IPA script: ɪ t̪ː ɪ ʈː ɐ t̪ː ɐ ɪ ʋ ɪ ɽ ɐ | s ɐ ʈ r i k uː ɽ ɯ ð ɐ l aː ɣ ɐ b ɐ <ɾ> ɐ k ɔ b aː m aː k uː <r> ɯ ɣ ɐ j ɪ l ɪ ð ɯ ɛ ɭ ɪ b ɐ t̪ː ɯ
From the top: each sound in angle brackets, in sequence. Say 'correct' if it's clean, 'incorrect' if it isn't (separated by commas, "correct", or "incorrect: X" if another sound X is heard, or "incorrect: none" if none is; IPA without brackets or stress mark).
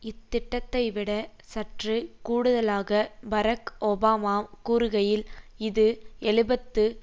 correct, incorrect: ɾ